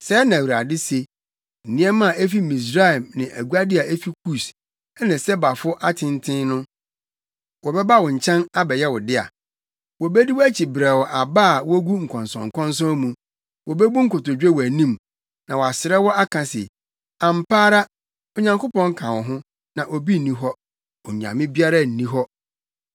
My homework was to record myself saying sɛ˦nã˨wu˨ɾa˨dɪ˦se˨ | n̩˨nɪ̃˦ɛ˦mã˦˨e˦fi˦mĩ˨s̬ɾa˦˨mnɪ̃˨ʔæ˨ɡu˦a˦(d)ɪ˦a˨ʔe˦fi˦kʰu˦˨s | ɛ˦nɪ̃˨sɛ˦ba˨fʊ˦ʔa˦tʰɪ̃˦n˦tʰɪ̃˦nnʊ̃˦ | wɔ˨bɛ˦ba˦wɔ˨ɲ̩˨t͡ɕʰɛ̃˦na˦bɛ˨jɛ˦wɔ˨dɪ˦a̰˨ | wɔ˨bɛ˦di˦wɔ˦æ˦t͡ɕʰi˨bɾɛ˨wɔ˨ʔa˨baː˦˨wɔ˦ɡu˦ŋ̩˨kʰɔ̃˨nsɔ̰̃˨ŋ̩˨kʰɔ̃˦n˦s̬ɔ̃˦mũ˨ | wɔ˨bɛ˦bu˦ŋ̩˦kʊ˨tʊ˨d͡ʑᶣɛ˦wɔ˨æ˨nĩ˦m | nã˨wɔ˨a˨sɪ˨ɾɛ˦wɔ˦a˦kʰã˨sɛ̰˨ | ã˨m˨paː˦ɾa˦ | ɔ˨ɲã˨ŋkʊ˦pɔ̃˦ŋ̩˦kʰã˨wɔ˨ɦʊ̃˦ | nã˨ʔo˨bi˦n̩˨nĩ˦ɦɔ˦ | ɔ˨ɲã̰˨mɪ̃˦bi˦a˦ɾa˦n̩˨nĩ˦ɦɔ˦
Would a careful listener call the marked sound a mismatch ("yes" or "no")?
no